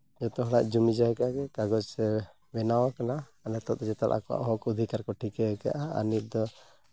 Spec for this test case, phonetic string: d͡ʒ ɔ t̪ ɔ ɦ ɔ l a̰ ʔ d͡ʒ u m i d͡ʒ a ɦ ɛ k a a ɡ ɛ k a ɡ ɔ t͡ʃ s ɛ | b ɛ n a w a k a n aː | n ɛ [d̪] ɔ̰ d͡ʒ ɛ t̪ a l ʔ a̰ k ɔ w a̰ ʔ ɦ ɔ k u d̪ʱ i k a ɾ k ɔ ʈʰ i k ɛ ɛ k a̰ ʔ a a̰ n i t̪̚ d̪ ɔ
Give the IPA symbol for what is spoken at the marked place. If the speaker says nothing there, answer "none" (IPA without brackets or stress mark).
t̪